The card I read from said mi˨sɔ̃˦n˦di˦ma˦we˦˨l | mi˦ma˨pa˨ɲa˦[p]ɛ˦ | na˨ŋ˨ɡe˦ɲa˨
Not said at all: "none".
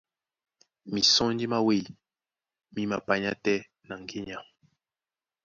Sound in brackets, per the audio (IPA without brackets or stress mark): t